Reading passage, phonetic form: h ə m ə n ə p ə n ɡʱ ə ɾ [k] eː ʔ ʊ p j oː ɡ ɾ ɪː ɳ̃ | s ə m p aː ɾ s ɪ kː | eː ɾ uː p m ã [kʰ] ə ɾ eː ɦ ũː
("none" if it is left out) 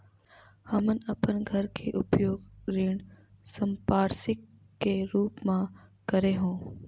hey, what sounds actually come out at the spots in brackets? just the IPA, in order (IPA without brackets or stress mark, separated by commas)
kʰ, k